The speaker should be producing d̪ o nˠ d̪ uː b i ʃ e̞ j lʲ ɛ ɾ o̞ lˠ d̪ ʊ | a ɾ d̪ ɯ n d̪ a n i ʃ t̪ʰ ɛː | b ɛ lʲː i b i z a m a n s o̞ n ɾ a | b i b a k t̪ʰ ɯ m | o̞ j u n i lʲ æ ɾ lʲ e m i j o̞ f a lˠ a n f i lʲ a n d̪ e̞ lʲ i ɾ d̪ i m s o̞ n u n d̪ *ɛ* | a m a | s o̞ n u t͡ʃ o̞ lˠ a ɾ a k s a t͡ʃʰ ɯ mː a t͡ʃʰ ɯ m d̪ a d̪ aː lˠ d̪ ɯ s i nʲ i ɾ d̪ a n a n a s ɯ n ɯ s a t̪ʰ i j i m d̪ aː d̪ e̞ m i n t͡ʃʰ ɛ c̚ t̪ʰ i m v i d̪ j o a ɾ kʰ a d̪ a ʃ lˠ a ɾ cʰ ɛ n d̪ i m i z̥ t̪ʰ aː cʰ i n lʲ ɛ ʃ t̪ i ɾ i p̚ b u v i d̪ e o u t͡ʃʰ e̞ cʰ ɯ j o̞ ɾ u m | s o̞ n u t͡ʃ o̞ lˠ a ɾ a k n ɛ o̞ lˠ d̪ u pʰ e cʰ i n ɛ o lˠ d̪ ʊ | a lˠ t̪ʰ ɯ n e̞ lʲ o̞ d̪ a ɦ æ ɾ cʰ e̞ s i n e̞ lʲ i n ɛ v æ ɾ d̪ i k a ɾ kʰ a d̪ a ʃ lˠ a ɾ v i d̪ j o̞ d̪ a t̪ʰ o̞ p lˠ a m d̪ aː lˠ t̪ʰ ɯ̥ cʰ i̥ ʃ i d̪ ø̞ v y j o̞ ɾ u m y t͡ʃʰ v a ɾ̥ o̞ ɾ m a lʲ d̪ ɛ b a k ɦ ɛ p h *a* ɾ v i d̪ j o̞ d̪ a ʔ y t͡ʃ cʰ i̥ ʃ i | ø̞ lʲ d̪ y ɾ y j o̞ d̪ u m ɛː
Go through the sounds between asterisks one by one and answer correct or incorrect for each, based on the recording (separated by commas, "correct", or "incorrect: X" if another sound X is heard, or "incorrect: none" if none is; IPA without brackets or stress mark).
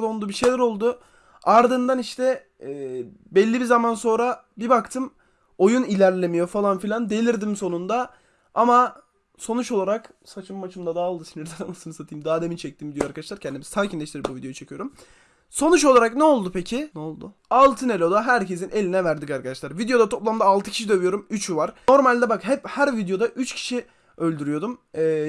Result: incorrect: a, incorrect: æ